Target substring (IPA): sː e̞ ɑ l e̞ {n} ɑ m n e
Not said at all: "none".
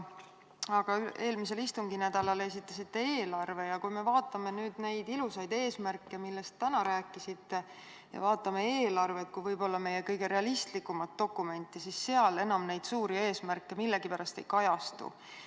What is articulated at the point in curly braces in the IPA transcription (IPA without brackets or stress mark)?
n